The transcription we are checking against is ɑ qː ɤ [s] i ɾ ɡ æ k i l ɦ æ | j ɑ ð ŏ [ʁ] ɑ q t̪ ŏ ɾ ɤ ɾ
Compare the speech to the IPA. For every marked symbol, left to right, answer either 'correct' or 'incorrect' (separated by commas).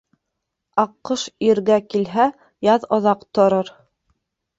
incorrect, incorrect